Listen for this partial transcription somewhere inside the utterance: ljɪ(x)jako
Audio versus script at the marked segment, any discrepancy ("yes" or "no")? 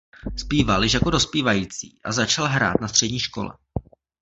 yes